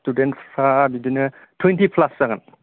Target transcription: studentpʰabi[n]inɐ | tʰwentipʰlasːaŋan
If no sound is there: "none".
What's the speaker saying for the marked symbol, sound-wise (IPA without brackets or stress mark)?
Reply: d